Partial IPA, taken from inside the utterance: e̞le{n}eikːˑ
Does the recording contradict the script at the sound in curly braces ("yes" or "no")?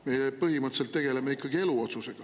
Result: yes